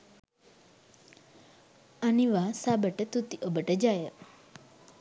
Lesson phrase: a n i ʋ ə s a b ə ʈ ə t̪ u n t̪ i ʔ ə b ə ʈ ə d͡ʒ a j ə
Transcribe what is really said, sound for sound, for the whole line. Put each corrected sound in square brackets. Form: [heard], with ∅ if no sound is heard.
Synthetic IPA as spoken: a n i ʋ [a] s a b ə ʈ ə t̪ u [∅] t̪ i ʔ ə b ə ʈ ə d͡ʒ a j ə

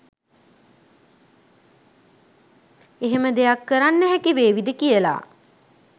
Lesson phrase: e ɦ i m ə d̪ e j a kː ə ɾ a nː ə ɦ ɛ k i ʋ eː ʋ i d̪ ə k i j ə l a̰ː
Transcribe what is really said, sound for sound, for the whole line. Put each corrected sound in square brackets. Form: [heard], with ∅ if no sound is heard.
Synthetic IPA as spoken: e ɦ [e] m ə d̪ e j a kː ə ɾ a nː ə ɦ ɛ k i ʋ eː ʋ i d̪ ə k i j ə l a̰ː

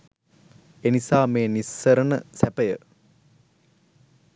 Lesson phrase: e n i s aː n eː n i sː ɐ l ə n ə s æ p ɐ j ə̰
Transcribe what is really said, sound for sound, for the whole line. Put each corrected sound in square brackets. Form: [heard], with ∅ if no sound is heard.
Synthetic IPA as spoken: e n i s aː [m] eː n i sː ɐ [ɾ] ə n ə s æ p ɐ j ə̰

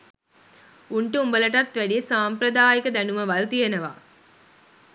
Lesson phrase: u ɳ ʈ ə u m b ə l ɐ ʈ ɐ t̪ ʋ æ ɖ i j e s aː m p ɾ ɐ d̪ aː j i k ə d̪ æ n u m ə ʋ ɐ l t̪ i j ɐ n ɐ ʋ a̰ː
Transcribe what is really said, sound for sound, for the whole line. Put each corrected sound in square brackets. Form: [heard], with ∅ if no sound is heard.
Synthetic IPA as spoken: u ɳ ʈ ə u m b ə l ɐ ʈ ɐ t̪ ʋ æ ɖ i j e s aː m p ɾ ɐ d̪ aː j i k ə d̪ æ n u m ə ʋ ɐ l t̪ i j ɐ n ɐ ʋ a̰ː

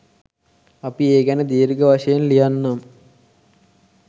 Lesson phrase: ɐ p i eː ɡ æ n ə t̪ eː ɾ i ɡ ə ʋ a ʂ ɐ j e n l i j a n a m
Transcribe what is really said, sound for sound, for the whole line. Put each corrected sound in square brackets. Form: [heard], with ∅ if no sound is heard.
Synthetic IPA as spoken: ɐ p i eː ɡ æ n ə [d̪] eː ɾ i ɡ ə ʋ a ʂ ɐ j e n l i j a [nː] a m

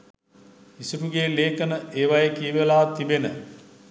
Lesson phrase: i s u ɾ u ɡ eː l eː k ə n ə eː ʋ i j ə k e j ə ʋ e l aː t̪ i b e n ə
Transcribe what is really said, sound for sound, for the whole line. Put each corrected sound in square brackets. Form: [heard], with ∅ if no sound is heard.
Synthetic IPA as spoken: i s u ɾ u ɡ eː l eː k ə n ə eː ʋ [a] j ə k [i] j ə ʋ e l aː t̪ i b e n ə

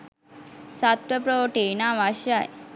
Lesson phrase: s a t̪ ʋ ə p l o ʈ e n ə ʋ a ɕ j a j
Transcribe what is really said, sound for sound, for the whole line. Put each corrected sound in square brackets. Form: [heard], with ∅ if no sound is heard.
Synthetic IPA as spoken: s a t̪ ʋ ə p [ɾ] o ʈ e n [a] ʋ a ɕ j a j

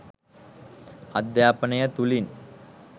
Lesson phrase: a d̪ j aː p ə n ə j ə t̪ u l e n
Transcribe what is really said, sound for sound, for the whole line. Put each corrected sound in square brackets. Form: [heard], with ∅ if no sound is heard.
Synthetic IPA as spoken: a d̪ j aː p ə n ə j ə t̪ u l [i] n

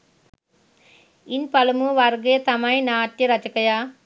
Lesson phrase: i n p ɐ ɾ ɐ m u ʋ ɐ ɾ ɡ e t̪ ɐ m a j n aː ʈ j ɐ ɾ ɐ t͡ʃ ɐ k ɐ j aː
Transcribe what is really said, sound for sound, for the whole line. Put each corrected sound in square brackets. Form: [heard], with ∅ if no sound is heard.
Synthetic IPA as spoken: i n p ɐ [l] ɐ m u ʋ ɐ ɾ ɡ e t̪ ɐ m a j n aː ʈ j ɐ ɾ ɐ t͡ʃ ɐ k ɐ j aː

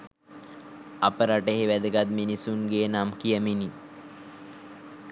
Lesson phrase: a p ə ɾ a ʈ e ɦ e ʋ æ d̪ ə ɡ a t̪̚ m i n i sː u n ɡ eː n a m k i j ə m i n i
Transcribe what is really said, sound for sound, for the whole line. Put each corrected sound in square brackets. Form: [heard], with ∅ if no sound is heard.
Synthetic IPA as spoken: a p ə ɾ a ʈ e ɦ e ʋ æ d̪ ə ɡ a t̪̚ m i n i [s] u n ɡ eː n a m k i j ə m i n i

